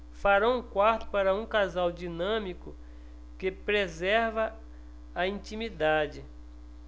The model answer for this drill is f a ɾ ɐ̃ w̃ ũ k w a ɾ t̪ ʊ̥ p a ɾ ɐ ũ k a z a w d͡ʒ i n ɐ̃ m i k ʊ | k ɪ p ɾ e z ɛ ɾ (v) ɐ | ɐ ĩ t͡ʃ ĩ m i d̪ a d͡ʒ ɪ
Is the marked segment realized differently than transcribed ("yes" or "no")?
no